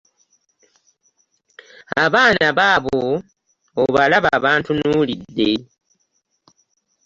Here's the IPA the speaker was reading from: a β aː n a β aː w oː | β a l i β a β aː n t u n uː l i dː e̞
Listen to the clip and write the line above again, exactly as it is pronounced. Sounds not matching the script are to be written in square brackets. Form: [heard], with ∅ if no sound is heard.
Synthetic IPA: a β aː n a β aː [β] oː | β a l [a] β a β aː n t u n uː l i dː e̞